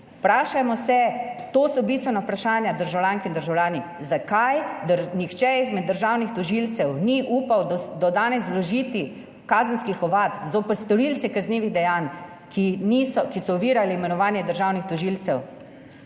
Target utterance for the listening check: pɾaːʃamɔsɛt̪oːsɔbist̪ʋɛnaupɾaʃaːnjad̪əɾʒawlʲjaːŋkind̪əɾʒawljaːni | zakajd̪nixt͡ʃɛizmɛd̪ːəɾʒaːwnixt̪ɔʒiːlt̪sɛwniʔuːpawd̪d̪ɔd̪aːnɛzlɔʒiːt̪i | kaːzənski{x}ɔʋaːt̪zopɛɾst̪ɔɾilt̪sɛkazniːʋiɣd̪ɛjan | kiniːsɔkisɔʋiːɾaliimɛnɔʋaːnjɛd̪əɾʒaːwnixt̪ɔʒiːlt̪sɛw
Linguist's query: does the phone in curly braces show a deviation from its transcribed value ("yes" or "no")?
no